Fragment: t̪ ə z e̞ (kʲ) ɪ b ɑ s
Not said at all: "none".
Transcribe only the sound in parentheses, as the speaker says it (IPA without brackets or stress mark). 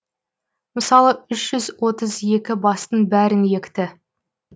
kʲ